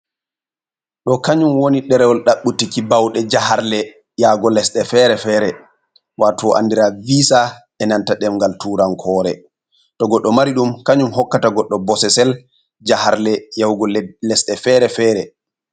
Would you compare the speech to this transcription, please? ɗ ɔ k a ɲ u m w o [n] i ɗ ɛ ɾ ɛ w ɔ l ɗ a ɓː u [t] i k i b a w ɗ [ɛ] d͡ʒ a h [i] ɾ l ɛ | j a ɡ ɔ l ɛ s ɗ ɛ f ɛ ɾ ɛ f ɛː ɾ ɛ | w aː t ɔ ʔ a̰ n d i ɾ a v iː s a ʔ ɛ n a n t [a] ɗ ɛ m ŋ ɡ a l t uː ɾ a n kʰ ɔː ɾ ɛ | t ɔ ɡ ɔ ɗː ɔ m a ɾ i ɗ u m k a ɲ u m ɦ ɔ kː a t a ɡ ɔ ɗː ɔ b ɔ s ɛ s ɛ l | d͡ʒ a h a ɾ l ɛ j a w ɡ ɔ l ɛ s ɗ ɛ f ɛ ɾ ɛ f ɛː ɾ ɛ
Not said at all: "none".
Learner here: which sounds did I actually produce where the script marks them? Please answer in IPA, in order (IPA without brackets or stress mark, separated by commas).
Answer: n, t, ɛ, a, a